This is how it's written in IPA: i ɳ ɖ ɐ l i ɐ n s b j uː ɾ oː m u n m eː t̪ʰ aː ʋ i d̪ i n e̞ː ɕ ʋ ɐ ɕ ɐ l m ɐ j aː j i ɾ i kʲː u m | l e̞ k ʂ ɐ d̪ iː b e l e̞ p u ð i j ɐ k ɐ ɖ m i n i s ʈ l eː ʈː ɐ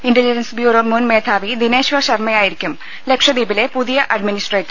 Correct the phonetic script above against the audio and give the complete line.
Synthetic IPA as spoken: i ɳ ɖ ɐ l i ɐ n s b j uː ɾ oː m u n m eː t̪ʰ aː ʋ i d̪ i n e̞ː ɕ ʋ ɐ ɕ ɐ r m ɐ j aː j i ɾ i kʲː u m | l e̞ k ʂ ɐ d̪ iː b i l e̞ p u ð i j ɐ ʔ ɐ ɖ m i n i s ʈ r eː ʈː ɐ